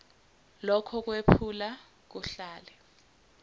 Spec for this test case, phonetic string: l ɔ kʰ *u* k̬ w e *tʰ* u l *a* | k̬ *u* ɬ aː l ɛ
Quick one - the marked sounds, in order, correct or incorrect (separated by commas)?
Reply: incorrect, incorrect, correct, correct